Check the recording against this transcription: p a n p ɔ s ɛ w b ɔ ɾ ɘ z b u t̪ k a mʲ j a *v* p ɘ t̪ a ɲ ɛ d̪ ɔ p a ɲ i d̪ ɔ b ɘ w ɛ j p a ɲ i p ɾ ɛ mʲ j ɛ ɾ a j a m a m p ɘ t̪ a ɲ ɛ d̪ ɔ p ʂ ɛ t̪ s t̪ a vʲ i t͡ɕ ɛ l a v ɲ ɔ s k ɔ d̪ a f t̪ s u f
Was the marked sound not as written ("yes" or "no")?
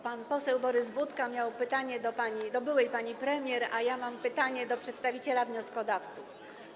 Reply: yes